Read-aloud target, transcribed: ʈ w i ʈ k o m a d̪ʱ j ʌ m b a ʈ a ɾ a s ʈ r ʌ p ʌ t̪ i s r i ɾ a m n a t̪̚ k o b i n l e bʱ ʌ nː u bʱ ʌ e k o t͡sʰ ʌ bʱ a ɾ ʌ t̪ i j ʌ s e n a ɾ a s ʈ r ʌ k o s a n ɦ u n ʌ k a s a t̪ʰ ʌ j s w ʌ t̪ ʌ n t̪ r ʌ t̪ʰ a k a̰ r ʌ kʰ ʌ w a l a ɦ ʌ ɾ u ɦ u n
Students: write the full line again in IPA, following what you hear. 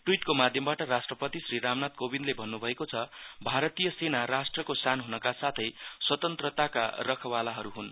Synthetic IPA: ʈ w i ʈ k o m a d̪ʱ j ʌ m b a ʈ ʌ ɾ a s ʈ r ʌ p ʌ t̪ i s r i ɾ a m n a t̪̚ k o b i n l e bʱ ʌ nː u bʱ ʌ e k o t͡sʰ ʌ bʱ a ɾ ʌ t̪ i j ʌ s e n a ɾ a s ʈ r ʌ k o s a n ɦ u n ʌ k a s a t̪ʰ ʌ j s w ʌ t̪ ʌ n t̪ r ʌ t̪ a k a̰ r ʌ kʰ ʌ w a l a ɦ ʌ ɾ u ɦ u n

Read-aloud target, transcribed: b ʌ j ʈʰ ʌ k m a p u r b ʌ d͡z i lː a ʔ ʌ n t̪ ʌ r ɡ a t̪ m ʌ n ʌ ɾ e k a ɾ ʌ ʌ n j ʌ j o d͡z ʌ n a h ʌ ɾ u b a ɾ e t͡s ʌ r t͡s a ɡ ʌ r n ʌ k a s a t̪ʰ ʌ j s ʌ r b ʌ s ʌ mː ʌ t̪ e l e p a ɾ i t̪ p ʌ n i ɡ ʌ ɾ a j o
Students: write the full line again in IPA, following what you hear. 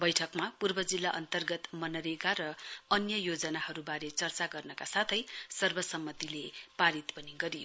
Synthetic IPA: b ʌ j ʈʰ ʌ k m a p u r b ʌ d͡z i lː a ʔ ʌ n t̪ ʌ r ɡ ʌ t̪ m ʌ n ʌ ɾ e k a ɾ ʌ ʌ n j ʌ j o d͡z ʌ n a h ʌ ɾ u b a ɾ e t͡s ʌ r t͡s a ɡ ʌ r n ʌ k a s a t̪ʰ ʌ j s ʌ r b ʌ s ʌ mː ʌ t̪ i l e p a ɾ i t̪ p ʌ n i ɡ ʌ ɾ i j o

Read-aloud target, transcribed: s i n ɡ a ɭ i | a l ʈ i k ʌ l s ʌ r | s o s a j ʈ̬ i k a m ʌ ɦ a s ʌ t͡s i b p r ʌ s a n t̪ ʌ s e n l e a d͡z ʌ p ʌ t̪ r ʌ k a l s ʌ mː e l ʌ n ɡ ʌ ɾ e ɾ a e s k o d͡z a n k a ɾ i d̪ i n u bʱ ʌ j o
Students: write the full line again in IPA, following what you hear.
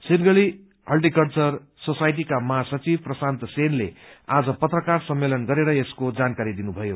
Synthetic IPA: s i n ɡ ʌ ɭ i | ʌ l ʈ i k ʌ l t͡s ʌ r | s o s a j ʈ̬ i k a m ʌ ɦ a s ʌ t͡s i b p r ʌ s a n t̪ ʌ s e n l e a d͡z ʌ p ʌ t̪ r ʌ k a r s ʌ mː e l ʌ n ɡ ʌ ɾ e ɾ ʌ e s k o d͡z a n k a ɾ i d̪ i n u bʱ ʌ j o

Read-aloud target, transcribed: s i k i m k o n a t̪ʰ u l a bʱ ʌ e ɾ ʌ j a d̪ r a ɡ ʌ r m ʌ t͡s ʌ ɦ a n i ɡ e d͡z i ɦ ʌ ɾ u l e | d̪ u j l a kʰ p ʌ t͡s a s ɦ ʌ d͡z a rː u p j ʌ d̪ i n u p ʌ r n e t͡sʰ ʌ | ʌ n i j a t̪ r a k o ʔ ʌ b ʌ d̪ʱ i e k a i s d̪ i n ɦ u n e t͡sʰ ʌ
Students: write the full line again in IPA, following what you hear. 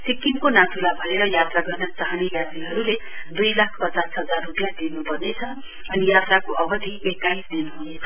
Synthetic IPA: s i k i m k o n a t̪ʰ u l a bʱ ʌ e ɾ ʌ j a t̪ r a ɡ ʌ r n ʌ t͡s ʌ ɦ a n i ɡ a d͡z i ɦ ʌ ɾ u l e | d̪ u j l a kʰ p ʌ t͡s a s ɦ ʌ d͡z a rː u p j a d̪ i n u p ʌ r n e t͡sʰ ʌ | ʌ n i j a t̪ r a k o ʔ ʌ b ʌ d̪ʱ i e k a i s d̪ i n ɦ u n e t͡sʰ ʌ

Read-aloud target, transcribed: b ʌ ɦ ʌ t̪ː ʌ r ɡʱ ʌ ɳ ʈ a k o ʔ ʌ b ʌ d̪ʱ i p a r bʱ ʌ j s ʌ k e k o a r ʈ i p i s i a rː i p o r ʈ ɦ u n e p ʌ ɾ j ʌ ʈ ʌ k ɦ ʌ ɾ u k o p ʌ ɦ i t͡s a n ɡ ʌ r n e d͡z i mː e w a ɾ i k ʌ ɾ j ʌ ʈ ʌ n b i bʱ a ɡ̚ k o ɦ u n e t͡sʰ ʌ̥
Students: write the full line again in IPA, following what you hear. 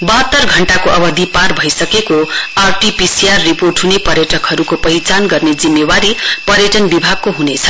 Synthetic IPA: b ʌ ɦ ʌ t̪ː ʌ r ɡʱ ʌ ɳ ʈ a k o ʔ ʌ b ʌ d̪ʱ i p a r bʱ ʌ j s ʌ k e k o a r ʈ i p i s i a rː i p o r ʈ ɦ u n e p ʌ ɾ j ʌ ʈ ʌ k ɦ ʌ ɾ u k o p ʌ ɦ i t͡s a n ɡ ʌ r n e d͡z i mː e w a ɾ i p ʌ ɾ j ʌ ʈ ʌ n b i bʱ a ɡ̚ k o ɦ u n e t͡sʰ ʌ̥

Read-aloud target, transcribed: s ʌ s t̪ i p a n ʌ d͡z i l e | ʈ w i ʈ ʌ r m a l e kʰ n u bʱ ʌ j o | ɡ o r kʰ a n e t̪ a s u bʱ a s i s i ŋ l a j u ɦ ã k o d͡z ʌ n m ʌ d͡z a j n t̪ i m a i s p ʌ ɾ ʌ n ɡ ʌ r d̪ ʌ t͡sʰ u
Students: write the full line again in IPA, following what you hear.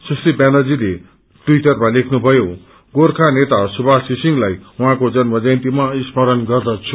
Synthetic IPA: s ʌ s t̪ i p a n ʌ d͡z i l e | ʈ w i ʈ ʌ r m a l e kʰ n u bʱ ʌ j o | ɡ o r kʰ a n e t̪ a s u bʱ a s i s i ŋ l a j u ɦ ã k o d͡z ʌ n m ʌ d͡z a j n t̪ i m a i s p ʌ ɾ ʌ n ɡ ʌ r d̪ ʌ t͡sʰ u

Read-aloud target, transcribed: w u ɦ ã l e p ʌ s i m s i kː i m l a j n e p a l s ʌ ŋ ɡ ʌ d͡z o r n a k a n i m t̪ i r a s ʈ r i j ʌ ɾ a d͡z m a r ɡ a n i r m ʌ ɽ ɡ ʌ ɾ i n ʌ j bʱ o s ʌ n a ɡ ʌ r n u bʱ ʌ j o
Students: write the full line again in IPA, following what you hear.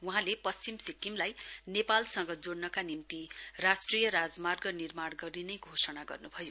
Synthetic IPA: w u ɦ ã l e p ʌ s i m s i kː i m l a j n e p a l s ʌ ŋ ɡ ʌ d͡z o ɽ n ʌ k a n i m t̪ i r a s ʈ r i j ʌ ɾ a d͡z m a r ɡ ʌ n i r m a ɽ ɡ ʌ ɾ i n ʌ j ɡʱ o s ʌ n a ɡ ʌ r n u bʱ ʌ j o

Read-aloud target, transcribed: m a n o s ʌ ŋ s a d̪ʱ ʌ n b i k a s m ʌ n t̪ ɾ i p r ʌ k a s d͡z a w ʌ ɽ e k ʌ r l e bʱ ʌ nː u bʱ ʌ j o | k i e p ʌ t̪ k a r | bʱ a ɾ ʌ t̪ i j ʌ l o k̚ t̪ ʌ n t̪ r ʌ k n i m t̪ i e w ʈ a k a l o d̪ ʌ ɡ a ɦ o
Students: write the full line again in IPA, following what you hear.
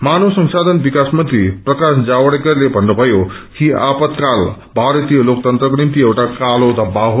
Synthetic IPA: m a n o s ʌ ŋ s a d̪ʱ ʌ n b i k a s m ʌ n t̪ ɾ i p r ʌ k a s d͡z a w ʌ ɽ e k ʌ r l e bʱ ʌ nː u bʱ ʌ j o | k i a p ʌ t̪ k a l | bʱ a ɾ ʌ t̪ i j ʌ l o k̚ t̪ ʌ n t̪ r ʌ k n i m t̪ i e w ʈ a k a l o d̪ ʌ b a ɦ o

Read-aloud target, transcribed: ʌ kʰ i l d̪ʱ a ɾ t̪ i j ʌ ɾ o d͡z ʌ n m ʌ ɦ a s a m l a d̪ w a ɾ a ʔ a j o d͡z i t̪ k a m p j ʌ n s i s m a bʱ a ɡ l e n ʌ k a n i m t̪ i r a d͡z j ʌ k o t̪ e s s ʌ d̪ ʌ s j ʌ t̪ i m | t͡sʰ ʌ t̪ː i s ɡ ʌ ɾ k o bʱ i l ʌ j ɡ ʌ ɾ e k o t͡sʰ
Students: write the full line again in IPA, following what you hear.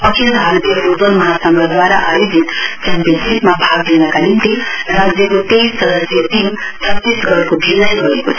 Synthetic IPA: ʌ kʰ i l d̪ʱ a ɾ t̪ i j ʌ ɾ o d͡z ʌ n m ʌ ɦ a s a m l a d̪ w a ɾ a ʔ a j o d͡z i t̪ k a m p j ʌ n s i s m a bʱ a ɡ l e n ʌ k a n i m t̪ i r a d͡z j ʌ k o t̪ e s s ʌ d̪ ʌ s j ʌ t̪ i m | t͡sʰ ʌ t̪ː i s ɡ ʌ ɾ k o bʱ i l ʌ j ɡ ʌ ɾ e k o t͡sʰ

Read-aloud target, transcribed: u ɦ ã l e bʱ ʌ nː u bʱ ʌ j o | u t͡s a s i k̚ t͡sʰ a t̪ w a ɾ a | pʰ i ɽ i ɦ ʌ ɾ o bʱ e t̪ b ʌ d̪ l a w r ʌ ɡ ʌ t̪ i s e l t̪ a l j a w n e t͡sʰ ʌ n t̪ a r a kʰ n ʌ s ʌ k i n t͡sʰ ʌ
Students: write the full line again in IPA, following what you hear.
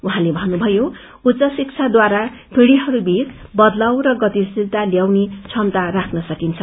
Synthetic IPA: u ɦ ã l e bʱ ʌ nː u bʱ ʌ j o | u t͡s ʌ s i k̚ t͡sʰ a d̪ w a ɾ a | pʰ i ɽ i ɦ ʌ ɾ u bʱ i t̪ b ʌ d̪ l a w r ʌ ɡ ʌ t̪ i s i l t̪ a l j a w n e t͡sʰ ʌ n t̪ a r a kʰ n ʌ s ʌ k i n t͡sʰ ʌ

